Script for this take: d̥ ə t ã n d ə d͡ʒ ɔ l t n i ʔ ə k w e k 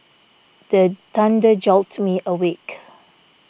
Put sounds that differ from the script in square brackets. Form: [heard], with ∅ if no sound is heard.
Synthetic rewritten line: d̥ ə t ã n d ə d͡ʒ ɔ l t [m] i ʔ ə [∅] w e k